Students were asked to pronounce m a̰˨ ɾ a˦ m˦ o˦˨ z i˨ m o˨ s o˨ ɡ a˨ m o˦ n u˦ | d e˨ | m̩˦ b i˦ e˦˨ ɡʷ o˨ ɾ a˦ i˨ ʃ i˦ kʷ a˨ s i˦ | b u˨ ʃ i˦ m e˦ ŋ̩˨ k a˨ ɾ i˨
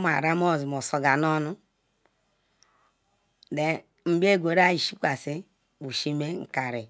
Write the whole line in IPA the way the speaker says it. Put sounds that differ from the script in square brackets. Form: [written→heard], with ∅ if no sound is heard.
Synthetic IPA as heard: m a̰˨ ɾ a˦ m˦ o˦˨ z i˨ m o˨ s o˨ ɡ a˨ [m→n] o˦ n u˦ | d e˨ | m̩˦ b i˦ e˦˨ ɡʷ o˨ ɾ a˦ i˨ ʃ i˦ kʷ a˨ s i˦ | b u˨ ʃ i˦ m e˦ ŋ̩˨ k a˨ ɾ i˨